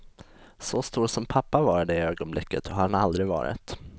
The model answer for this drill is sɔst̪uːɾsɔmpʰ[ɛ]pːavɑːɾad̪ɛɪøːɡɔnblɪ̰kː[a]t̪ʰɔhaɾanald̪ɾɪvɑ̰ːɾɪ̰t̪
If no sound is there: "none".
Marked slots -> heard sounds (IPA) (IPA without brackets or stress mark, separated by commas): a, ə